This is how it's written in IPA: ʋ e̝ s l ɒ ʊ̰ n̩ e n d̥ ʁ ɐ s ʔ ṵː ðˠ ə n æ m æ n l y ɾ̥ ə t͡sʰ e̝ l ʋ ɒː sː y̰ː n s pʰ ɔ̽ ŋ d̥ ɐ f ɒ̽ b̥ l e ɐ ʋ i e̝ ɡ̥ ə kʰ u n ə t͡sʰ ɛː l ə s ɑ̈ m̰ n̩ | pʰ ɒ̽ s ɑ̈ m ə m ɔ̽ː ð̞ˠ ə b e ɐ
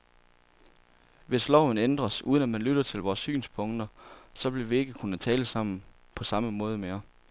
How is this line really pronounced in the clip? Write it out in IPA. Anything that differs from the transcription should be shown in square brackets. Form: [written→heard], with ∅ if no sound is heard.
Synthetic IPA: ʋ e̝ s l ɒ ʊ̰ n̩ e n d̥ ʁ ɐ s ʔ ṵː ðˠ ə n æ m æ n l y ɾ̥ [ə→ɐ] t͡sʰ e̝ l ʋ ɒː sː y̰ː n s pʰ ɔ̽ ŋ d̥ ɐ [f→s] ɒ̽ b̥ l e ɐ ʋ i e̝ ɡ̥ ə kʰ u n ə t͡sʰ ɛː l ə s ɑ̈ m̰ n̩ | pʰ ɒ̽ s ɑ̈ m ə m ɔ̽ː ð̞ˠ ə [b→m] e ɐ